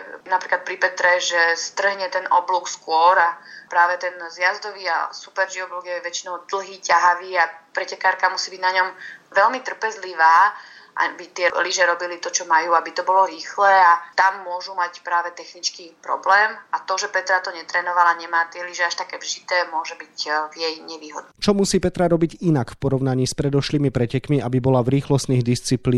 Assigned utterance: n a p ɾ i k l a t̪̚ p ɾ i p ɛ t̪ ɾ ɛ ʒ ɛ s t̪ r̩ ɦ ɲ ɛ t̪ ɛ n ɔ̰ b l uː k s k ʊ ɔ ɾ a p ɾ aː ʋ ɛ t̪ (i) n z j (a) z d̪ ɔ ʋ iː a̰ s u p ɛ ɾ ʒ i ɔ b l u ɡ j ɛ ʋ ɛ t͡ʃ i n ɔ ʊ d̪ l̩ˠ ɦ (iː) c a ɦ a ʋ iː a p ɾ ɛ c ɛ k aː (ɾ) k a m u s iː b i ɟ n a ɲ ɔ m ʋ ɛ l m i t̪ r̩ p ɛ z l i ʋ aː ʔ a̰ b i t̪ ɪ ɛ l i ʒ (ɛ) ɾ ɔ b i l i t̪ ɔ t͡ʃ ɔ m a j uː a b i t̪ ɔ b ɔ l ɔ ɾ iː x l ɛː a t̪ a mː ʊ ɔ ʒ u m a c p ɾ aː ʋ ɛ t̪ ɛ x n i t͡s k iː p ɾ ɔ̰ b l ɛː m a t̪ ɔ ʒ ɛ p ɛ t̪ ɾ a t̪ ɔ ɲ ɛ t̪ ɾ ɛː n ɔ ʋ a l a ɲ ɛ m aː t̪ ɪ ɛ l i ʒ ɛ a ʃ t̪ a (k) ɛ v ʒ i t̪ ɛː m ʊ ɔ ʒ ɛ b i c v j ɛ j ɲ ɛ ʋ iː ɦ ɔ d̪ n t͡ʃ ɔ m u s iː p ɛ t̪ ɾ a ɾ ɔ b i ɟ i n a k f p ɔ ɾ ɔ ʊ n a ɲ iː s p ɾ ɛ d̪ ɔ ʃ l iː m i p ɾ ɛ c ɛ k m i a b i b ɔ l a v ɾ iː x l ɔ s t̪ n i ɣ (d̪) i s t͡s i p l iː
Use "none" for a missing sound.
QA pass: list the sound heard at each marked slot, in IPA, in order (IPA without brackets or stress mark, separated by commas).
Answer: ɛ, a, iː, ɾ, ɛ, k, d̪